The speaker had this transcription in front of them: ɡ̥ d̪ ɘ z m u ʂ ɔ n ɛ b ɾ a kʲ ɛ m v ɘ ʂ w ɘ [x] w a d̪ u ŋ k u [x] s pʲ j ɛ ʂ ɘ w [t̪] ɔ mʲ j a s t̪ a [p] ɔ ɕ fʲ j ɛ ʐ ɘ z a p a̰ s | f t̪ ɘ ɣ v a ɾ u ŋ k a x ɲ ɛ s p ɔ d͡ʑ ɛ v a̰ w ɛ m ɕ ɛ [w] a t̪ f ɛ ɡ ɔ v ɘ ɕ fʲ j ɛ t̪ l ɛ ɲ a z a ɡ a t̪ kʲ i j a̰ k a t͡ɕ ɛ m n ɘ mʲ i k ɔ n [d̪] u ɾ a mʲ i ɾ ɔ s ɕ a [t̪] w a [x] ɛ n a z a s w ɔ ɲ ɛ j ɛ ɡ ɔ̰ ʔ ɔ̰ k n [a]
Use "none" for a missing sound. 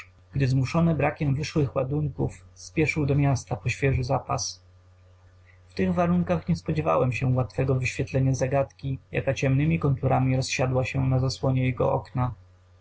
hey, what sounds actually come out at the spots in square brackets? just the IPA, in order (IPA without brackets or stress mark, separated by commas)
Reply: x, f, d̪, p, w, t̪, d̪, ɕ, a